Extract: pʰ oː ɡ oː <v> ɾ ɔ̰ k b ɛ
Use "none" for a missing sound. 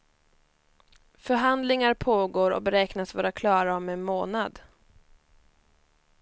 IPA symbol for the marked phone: none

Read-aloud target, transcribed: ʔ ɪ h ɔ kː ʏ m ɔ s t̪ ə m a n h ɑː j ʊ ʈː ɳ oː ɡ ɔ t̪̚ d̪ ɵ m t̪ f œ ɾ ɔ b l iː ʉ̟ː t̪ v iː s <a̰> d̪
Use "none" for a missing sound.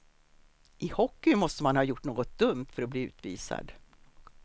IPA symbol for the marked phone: a̰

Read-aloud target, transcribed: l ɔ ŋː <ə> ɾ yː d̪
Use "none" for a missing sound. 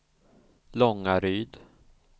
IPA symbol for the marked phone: a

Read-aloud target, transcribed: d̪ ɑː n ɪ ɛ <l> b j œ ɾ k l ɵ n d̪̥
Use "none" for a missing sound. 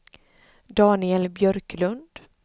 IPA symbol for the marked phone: l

